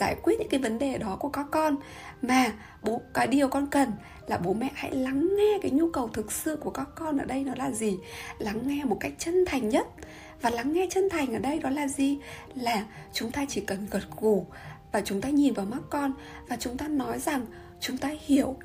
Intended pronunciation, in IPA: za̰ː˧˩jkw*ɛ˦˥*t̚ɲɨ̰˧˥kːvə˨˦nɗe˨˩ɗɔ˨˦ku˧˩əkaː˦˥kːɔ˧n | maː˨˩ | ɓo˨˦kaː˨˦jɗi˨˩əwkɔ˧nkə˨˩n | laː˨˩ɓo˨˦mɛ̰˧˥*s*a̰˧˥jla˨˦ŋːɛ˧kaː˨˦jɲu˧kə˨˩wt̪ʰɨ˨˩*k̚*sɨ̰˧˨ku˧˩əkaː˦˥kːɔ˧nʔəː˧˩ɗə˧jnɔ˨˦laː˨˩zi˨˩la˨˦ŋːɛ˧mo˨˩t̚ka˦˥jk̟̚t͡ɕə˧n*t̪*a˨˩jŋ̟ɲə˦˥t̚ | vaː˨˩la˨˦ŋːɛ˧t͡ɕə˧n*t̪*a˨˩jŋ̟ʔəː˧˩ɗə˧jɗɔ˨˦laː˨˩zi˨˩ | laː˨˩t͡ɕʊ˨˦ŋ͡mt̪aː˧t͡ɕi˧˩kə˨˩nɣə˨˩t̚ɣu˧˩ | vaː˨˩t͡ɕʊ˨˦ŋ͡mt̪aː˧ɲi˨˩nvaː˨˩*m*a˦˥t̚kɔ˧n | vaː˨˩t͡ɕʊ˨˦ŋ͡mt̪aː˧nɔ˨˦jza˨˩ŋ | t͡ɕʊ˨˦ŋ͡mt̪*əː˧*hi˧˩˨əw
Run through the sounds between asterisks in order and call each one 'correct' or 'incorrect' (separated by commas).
incorrect, incorrect, correct, incorrect, incorrect, correct, incorrect